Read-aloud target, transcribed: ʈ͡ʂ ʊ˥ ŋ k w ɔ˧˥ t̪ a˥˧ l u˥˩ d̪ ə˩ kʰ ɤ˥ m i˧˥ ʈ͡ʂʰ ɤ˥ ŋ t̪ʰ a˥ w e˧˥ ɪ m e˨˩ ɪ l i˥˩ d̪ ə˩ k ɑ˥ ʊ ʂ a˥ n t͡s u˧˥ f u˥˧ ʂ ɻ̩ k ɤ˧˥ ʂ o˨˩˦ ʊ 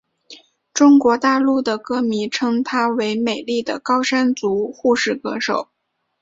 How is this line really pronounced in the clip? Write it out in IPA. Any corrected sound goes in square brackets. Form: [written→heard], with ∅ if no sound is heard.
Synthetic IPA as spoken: ʈ͡ʂ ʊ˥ ŋ k w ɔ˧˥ t̪ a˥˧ l u˥˩ d̪ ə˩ [kʰ→k] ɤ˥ m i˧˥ ʈ͡ʂʰ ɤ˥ ŋ t̪ʰ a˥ w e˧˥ ɪ m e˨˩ ɪ l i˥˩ d̪ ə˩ k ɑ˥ ʊ ʂ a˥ n t͡s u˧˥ [f→x] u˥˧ ʂ ɻ̩ k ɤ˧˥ ʂ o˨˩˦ ʊ